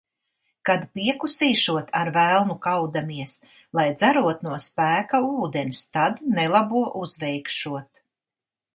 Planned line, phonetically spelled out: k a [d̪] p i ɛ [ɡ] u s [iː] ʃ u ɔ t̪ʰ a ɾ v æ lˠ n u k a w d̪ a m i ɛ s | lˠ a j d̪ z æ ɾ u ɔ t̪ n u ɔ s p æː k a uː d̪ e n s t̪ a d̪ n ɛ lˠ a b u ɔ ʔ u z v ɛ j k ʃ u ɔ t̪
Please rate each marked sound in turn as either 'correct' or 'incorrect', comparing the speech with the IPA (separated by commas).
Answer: correct, incorrect, correct